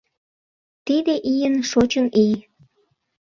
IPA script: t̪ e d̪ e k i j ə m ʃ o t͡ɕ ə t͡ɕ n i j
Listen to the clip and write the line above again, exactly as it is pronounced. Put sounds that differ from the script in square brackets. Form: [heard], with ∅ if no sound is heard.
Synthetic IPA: t̪ [i] d̪ e [ʔ] i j ə [n] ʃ o t͡ɕ ə [∅] n i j

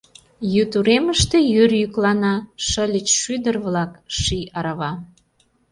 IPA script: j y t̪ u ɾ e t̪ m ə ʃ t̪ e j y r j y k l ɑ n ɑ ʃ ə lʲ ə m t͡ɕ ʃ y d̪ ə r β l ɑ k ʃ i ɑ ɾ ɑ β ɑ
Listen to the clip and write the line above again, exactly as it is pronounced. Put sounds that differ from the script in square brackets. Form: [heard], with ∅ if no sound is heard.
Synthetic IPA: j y t̪ u ɾ e [∅] m ə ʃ t̪ e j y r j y k l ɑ n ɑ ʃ ə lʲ ə [∅] t͡ɕ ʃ y d̪ ə r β l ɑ k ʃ i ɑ ɾ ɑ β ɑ

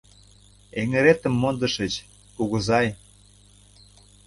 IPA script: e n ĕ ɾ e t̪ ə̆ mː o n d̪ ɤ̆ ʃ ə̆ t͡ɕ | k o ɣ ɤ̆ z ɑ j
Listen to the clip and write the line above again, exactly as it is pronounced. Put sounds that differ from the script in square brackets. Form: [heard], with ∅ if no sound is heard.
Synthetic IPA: e [ŋ] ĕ ɾ e t̪ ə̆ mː o n d̪ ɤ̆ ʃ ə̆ t͡ɕ | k [u] ɣ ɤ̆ z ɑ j

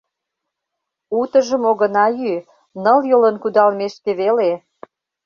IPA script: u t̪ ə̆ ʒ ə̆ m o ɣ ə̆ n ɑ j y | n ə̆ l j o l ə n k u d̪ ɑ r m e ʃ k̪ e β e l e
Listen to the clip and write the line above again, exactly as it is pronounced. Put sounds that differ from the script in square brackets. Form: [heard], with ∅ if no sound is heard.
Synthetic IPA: u t̪ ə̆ ʒ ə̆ m o ɣ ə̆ n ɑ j y | n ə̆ l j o l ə n k u d̪ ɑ [l] m e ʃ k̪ e β e l e

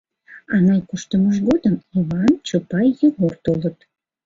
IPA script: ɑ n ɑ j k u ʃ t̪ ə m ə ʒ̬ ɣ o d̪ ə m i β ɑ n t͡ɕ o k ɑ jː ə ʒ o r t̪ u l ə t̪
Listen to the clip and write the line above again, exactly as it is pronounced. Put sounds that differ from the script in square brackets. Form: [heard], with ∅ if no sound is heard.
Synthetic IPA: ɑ n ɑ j k u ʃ t̪ ə m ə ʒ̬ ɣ o d̪ ə m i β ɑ n t͡ɕ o [p] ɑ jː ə [ɣ] o r t̪ [o] l ə t̪

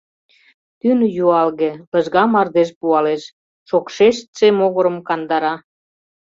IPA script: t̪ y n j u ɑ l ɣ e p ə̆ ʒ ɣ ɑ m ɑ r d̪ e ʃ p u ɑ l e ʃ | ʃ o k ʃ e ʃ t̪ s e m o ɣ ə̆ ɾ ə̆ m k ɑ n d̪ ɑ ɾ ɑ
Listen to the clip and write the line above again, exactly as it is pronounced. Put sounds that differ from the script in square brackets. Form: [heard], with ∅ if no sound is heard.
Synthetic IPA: t̪ y n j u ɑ l ɣ e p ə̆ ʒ ɣ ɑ m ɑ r d̪ e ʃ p u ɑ l e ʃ | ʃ o k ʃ e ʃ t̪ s e m o ɣ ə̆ ɾ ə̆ m k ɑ n d̪ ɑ ɾ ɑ

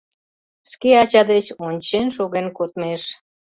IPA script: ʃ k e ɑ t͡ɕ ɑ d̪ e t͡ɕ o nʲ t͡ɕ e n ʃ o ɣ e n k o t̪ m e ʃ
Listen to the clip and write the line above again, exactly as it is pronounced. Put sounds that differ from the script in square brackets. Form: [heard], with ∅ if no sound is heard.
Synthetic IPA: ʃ k e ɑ t͡ɕ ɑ d̪ e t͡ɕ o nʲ t͡ɕ e n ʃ o ɣ e n k o t̪ m e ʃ

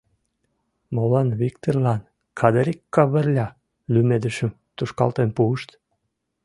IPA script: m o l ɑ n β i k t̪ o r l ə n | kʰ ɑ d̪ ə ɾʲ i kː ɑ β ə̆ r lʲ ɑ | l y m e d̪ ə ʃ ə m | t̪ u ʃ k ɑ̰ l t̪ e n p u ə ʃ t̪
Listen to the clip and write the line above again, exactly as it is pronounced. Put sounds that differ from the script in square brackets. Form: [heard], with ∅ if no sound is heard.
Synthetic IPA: m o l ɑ n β i k t̪ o r l [ɑ] n | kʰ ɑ d̪ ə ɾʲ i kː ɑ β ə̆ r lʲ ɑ | l y m e d̪ ə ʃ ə m | t̪ u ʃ k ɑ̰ l t̪ e n p u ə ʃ t̪

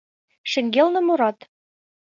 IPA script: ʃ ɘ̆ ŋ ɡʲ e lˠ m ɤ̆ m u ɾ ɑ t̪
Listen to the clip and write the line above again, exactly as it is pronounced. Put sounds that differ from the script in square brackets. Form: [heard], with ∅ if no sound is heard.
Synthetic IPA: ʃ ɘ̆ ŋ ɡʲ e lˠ [n] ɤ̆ m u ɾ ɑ t̪

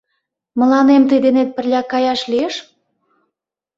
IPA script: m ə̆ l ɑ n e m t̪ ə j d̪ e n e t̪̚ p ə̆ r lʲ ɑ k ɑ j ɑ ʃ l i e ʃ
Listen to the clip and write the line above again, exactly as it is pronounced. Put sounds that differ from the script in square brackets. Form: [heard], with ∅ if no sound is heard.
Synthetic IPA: m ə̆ l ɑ n e m t̪ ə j d̪ e n e t̪̚ p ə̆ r lʲ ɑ k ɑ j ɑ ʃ l i e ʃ

